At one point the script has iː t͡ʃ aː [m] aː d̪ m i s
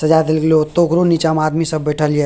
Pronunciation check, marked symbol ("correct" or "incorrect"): correct